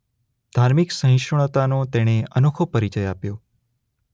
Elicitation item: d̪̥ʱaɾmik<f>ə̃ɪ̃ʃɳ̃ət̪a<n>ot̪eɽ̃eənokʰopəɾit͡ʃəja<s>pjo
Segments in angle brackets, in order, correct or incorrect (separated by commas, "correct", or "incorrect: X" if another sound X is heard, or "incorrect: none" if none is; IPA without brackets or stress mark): incorrect: s, correct, incorrect: none